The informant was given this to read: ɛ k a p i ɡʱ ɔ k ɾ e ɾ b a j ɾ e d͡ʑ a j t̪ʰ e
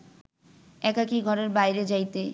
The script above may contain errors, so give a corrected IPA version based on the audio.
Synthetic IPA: ɛ k a k i ɡʱ ɔ ɾ e ɾ b a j ɾ e d͡ʑ a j t̪ e